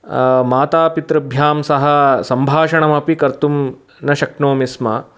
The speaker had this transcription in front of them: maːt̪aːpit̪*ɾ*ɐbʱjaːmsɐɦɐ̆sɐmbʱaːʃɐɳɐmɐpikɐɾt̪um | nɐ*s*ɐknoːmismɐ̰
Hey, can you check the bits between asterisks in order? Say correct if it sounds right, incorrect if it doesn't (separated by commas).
correct, incorrect